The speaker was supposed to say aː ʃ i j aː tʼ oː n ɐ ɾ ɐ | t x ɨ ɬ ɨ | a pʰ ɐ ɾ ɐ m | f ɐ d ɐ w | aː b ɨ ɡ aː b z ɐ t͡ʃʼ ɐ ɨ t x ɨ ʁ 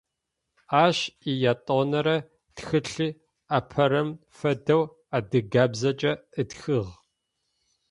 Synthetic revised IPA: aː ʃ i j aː tʼ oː n ɐ ɾ ɐ | t x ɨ ɬ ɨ | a pʰ ɐ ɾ ɐ m | f ɐ d ɐ w | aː d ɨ ɡ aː b z ɐ t͡ʃʼ ɐ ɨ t x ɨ ʁ